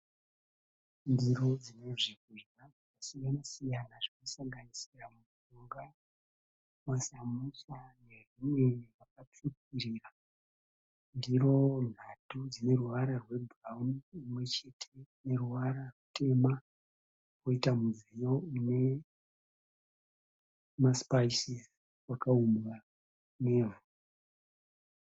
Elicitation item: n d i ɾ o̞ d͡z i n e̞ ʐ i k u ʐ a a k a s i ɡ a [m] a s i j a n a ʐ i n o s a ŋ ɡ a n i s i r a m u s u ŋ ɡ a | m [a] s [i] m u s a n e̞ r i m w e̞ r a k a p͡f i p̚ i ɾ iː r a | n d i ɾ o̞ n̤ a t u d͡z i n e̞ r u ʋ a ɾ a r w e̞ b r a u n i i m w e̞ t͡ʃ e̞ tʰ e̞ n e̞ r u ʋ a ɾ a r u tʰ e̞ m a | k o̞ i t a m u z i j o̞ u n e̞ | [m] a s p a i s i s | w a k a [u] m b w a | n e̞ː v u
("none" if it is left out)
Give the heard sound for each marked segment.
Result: n, a, a, m, u

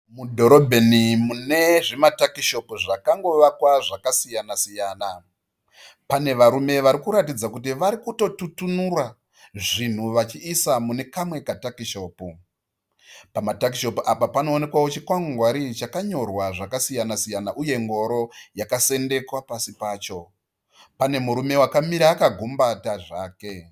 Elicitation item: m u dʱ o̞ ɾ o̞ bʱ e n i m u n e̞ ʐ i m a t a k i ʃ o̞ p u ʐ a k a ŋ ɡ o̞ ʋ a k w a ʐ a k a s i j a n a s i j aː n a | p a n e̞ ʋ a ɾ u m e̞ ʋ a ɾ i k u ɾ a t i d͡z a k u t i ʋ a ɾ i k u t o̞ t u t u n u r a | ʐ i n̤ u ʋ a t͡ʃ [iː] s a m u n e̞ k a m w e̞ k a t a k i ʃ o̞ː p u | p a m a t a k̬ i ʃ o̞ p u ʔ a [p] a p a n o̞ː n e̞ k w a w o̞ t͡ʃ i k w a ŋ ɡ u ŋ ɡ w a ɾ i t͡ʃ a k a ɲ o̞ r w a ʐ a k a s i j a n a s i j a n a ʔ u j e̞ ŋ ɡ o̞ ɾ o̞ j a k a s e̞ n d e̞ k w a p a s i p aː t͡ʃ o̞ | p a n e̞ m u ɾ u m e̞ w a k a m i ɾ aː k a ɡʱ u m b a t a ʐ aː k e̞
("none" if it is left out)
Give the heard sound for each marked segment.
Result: iː, p

